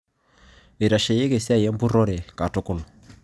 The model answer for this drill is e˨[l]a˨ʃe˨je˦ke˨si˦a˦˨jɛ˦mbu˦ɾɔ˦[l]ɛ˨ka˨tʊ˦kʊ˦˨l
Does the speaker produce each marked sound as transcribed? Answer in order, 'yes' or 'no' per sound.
no, no

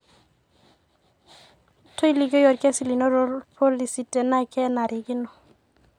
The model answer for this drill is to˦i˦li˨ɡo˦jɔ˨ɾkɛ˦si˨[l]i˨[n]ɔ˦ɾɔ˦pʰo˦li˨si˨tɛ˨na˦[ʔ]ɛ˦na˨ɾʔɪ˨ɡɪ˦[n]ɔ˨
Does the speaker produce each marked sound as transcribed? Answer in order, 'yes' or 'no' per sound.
yes, yes, no, yes

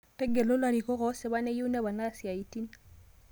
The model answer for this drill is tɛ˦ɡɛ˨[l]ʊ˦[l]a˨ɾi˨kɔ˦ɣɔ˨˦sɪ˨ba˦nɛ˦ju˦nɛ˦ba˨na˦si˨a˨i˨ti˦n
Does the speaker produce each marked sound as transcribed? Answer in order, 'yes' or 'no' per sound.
yes, yes

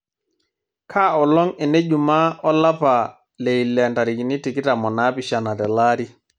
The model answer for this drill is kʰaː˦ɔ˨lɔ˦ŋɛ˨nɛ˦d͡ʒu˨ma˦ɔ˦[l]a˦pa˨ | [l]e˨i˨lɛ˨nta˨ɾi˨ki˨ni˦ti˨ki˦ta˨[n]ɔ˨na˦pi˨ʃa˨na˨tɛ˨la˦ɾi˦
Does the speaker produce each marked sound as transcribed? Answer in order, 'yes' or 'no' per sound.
yes, yes, no

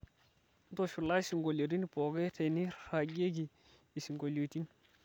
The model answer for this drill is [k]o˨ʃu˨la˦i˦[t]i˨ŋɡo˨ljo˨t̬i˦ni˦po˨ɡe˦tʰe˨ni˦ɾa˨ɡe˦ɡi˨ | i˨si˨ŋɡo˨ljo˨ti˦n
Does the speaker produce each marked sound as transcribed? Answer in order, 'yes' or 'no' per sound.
no, no

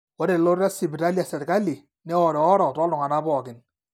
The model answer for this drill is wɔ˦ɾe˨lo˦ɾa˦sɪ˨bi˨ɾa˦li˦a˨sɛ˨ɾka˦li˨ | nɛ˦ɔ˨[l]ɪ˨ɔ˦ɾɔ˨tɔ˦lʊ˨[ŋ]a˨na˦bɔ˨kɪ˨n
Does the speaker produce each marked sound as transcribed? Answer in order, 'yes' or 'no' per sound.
no, yes

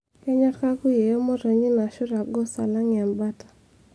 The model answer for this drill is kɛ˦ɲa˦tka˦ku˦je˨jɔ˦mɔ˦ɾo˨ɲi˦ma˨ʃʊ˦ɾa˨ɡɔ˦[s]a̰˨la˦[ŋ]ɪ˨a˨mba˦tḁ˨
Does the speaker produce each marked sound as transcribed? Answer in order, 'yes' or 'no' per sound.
yes, yes

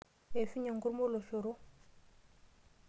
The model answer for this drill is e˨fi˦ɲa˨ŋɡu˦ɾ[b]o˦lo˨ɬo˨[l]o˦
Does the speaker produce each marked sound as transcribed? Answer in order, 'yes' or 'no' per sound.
no, no

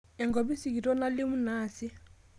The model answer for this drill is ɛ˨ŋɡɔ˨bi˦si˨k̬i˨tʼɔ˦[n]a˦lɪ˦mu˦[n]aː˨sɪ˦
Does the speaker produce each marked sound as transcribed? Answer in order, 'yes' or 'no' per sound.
yes, yes

